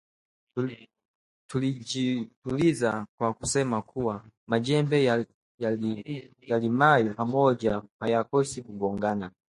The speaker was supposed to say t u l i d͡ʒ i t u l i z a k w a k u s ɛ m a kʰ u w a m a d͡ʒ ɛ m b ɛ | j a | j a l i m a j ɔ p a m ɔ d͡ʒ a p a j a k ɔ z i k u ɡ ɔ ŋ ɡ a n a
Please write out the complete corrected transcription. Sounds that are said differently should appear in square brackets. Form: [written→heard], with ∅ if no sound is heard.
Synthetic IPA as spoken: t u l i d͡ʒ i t u l i z a k w a k u s ɛ m a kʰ u w a m a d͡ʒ ɛ m b ɛ | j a | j a l i m a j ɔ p a m ɔ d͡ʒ a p a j a k ɔ [z→s] i k u ɡ ɔ ŋ ɡ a n a